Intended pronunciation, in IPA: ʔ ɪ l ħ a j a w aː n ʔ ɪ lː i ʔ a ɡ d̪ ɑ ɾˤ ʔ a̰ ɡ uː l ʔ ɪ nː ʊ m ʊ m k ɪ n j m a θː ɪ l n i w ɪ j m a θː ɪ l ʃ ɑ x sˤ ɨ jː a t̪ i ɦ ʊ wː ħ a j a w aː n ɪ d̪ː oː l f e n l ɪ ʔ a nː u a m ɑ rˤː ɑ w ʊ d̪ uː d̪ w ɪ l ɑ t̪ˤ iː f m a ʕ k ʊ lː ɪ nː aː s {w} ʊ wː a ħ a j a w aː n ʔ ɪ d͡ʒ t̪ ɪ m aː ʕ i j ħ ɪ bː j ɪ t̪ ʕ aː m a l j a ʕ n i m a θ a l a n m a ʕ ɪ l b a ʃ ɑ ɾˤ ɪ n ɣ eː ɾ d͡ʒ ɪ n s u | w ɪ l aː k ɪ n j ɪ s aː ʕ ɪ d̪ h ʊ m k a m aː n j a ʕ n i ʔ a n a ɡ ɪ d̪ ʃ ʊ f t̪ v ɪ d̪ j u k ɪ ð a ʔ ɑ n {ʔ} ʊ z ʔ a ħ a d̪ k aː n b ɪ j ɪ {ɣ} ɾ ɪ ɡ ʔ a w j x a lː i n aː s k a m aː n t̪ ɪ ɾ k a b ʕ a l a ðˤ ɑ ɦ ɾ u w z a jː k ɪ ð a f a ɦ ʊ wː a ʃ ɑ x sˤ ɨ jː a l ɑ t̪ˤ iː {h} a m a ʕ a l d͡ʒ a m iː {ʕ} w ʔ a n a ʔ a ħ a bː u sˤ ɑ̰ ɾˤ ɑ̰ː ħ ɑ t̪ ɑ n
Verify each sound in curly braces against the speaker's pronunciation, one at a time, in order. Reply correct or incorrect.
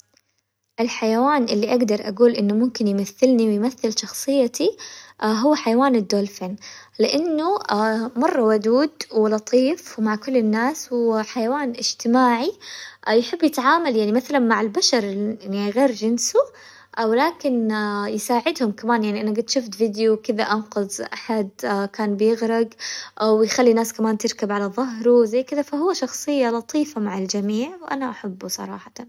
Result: correct, incorrect: q, correct, incorrect: f, correct

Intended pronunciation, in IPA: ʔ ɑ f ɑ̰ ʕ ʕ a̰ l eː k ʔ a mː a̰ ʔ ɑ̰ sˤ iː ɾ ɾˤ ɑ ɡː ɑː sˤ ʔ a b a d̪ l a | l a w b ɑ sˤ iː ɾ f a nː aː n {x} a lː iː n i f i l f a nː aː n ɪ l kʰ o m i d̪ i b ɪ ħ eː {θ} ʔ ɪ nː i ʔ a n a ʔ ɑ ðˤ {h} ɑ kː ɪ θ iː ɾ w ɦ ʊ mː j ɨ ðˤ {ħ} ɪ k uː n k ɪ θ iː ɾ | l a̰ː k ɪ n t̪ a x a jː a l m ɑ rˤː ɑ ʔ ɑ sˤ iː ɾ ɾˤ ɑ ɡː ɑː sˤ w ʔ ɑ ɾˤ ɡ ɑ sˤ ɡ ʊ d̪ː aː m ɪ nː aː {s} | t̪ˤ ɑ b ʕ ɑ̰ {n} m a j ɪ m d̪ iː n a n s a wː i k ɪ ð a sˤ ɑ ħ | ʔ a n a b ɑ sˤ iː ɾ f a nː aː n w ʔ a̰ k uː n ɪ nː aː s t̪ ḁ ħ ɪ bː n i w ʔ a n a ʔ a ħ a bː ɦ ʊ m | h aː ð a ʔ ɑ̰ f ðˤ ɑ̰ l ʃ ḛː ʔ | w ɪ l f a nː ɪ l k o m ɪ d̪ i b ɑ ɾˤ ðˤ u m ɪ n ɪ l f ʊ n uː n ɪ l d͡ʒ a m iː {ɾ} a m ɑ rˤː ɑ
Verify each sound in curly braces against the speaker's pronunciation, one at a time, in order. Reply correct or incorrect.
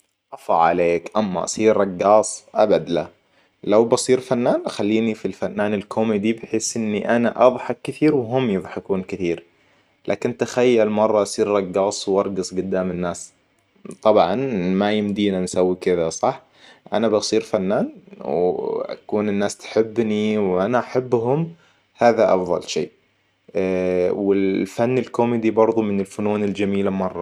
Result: correct, incorrect: s, incorrect: ħ, correct, correct, correct, incorrect: l

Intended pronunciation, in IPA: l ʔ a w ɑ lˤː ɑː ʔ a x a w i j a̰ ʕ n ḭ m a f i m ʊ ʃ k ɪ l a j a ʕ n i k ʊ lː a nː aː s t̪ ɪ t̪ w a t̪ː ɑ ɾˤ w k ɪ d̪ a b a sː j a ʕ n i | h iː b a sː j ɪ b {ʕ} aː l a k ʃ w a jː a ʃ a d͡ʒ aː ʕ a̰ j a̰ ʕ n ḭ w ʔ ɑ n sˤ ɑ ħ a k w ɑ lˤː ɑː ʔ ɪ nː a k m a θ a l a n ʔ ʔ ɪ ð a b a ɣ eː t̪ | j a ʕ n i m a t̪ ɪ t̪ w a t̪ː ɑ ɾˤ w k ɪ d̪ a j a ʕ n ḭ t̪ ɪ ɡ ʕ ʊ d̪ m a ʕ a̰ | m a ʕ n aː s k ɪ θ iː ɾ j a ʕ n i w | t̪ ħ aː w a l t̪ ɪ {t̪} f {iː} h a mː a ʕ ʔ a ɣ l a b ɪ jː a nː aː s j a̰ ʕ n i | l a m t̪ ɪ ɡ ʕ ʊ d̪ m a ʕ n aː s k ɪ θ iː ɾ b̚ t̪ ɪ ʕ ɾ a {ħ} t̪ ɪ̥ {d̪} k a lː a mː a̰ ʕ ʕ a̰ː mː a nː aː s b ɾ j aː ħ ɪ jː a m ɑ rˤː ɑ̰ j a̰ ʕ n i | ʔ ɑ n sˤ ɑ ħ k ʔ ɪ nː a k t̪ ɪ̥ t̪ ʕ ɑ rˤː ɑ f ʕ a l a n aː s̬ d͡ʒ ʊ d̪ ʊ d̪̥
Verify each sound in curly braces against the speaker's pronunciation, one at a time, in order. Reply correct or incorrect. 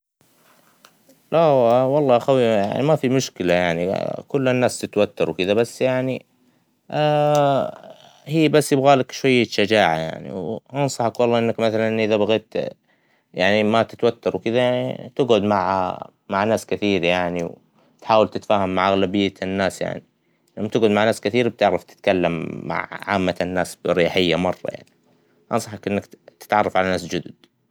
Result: incorrect: ɣ, correct, incorrect: aː, incorrect: f, incorrect: t̪

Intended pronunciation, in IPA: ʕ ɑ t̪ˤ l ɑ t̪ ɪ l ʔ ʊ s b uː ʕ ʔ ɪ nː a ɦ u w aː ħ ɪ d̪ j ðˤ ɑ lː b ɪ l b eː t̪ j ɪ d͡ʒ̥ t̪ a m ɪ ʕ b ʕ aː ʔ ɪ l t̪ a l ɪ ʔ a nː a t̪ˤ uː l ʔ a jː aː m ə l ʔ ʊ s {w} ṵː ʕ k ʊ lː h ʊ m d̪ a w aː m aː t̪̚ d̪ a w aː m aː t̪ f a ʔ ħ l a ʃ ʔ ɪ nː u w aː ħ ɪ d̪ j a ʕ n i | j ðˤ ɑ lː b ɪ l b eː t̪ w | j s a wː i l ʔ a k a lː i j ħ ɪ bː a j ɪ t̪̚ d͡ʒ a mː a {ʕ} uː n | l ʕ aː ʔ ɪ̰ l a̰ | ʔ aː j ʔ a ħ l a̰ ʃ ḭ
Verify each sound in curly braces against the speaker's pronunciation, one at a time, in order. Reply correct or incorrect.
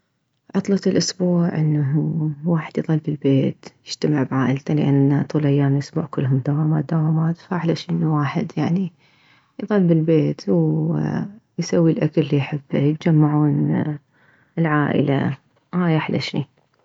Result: incorrect: b, correct

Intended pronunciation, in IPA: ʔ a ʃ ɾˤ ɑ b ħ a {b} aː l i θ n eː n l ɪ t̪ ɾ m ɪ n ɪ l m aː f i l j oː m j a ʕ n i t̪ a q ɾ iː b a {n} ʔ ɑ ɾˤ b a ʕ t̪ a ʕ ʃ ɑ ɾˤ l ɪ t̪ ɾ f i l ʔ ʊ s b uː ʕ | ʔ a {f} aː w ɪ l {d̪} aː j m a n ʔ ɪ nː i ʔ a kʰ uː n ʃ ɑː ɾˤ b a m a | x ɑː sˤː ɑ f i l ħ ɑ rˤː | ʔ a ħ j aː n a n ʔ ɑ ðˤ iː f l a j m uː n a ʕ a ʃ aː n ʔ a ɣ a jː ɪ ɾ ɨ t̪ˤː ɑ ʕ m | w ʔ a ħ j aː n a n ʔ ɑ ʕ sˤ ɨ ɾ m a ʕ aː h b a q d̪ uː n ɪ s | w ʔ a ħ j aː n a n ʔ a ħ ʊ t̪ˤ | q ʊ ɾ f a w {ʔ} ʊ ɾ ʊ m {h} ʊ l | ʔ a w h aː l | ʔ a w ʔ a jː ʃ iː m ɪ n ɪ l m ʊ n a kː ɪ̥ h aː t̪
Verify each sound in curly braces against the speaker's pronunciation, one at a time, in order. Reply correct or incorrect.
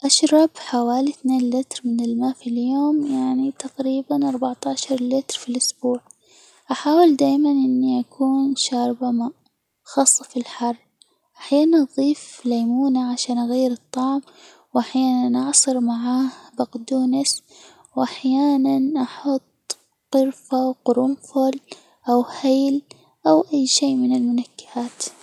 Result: incorrect: w, correct, incorrect: ħ, correct, incorrect: q, incorrect: f

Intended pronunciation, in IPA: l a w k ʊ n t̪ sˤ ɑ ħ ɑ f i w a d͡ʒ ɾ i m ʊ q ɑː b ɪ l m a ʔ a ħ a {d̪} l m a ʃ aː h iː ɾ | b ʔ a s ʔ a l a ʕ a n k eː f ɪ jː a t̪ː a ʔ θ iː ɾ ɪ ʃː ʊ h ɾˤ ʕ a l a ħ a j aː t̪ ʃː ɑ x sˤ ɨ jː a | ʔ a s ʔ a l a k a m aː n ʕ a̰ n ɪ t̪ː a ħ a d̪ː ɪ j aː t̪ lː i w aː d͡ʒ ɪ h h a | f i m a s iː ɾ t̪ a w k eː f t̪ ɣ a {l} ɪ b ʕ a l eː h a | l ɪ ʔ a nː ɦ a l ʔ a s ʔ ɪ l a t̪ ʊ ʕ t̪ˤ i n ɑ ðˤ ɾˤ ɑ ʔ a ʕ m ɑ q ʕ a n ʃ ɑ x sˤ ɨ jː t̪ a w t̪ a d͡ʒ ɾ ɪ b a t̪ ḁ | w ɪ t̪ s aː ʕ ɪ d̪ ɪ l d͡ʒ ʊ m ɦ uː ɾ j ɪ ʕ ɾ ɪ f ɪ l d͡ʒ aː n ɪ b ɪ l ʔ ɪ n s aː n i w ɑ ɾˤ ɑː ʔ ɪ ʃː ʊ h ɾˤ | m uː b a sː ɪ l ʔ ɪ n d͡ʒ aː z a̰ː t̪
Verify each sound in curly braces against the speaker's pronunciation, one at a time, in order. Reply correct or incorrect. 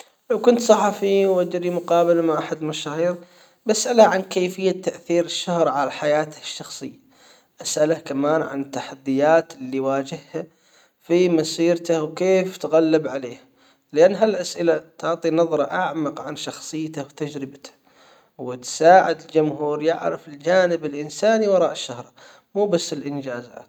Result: correct, incorrect: lː

